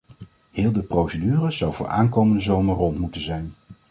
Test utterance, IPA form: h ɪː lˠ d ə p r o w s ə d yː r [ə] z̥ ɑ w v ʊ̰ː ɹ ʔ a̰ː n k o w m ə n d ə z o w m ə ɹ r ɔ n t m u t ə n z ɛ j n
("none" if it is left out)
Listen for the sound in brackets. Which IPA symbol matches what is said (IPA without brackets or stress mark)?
ə